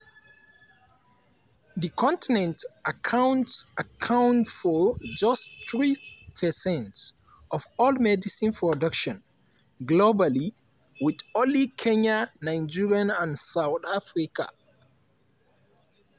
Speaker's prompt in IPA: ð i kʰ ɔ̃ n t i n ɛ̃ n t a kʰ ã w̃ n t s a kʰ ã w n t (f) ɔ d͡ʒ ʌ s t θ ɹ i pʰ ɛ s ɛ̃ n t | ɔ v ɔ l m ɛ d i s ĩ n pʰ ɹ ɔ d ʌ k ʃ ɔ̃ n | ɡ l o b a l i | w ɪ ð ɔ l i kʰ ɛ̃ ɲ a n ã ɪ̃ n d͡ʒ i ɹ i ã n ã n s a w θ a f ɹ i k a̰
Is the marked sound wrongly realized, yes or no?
no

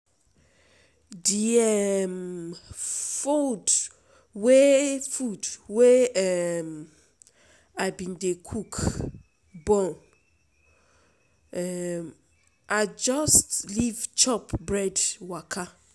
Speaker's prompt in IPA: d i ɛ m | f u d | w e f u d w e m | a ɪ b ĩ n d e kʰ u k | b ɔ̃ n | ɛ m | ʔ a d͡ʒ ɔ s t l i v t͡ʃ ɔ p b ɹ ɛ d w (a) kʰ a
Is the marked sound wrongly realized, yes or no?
no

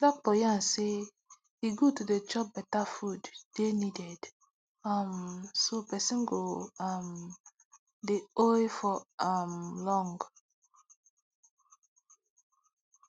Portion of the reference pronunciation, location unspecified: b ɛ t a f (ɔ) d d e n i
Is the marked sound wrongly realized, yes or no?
yes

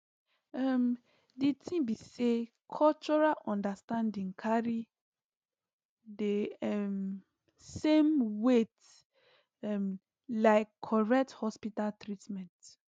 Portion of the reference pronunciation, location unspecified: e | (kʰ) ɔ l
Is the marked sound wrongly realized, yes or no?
no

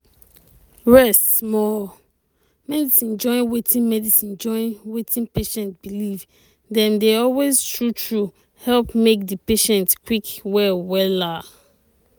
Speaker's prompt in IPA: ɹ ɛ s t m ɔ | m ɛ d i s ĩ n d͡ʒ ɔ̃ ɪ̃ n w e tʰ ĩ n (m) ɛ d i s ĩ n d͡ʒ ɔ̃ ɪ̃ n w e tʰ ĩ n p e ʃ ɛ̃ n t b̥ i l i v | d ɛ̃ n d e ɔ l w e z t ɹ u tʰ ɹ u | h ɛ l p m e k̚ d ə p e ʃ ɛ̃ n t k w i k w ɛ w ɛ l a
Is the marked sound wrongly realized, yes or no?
no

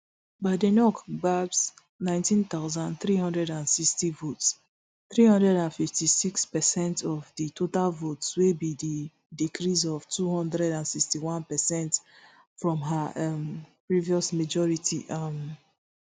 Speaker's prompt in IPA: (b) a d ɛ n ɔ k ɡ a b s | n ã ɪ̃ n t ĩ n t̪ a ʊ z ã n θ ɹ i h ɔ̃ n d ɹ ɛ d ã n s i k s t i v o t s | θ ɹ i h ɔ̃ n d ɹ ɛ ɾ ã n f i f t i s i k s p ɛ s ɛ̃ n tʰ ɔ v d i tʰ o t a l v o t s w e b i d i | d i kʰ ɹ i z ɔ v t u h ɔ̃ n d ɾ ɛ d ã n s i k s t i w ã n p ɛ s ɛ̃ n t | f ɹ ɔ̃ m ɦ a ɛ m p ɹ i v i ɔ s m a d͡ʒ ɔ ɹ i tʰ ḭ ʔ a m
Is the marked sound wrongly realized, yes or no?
no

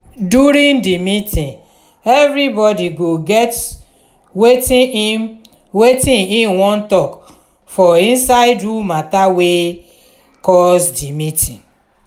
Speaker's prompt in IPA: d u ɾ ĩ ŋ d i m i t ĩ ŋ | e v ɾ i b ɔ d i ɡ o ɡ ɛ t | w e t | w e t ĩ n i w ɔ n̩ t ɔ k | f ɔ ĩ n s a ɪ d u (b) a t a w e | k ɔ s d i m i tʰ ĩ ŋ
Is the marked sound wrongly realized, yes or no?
yes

